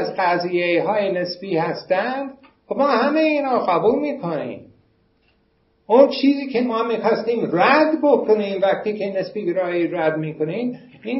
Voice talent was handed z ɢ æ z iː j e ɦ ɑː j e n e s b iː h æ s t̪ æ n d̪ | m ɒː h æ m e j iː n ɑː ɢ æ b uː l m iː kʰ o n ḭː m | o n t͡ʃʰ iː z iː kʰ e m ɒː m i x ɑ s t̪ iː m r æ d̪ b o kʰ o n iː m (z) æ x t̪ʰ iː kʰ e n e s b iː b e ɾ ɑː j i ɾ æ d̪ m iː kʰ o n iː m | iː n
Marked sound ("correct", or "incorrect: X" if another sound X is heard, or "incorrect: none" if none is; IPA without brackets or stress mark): incorrect: v